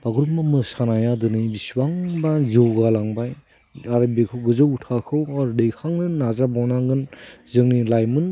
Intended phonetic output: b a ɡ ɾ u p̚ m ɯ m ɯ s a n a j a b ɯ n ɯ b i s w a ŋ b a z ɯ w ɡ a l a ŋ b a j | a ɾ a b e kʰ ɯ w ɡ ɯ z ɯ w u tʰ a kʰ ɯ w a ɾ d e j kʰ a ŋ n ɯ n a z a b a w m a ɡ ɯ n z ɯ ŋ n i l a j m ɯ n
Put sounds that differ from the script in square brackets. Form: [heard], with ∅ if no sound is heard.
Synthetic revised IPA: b a ɡ ɾ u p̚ m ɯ m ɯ s a n a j a [d] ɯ n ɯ b i s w a ŋ b a z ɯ w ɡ a l a ŋ b a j | a ɾ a b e kʰ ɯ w ɡ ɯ z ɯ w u tʰ a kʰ ɯ w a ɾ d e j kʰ a ŋ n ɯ n a z a b a w [n] a ɡ ɯ n z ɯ ŋ n i l a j m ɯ n